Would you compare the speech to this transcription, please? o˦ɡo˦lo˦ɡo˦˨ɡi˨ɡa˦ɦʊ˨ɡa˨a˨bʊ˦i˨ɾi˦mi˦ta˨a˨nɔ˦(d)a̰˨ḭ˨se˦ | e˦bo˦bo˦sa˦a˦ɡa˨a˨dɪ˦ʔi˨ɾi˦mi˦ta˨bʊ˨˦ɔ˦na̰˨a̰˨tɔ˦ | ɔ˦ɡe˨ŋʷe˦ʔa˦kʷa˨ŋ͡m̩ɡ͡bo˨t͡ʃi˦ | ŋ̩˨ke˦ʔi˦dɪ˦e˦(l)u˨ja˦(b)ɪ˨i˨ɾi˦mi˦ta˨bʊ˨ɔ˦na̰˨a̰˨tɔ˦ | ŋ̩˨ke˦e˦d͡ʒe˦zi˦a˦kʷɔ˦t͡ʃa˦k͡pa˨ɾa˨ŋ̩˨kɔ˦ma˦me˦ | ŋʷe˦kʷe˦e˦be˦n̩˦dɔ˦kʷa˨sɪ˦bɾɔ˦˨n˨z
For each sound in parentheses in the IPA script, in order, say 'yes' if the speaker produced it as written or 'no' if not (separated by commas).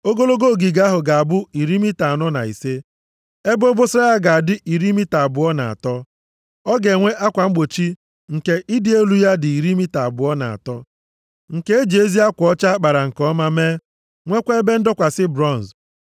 no, yes, no